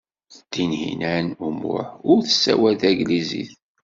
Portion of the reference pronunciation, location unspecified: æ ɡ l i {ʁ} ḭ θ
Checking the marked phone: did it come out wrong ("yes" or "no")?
yes